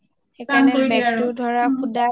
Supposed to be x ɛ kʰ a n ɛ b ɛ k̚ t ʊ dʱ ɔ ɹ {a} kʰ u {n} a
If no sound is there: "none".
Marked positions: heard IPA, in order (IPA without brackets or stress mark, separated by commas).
a, d